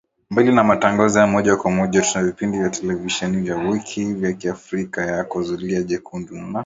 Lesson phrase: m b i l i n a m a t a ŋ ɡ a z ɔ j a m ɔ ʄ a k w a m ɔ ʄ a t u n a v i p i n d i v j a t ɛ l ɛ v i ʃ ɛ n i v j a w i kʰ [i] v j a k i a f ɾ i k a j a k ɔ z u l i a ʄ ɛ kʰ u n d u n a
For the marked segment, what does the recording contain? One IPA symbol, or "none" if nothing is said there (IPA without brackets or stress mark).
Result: i